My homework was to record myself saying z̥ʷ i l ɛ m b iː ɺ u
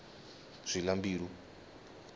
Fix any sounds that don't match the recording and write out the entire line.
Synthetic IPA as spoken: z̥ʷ i l a m b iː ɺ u